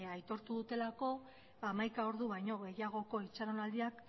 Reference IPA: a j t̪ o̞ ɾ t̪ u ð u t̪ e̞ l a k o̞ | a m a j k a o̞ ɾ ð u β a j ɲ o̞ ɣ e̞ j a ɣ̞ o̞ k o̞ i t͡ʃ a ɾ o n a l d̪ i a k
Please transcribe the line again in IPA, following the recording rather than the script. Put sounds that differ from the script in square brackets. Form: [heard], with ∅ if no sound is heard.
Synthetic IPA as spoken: a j t̪ o̞ ɾ t̪ u ð u t̪ e̞ l a k o̞ | a m a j k a o̞ ɾ ð u β a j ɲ o̞ ɣ e̞ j a ɣ̞ o̞ k o̞ i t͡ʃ a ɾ o n a l d̪ i a k